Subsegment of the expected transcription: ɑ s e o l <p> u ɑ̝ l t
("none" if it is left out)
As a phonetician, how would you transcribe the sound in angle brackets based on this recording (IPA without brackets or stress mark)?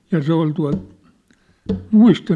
t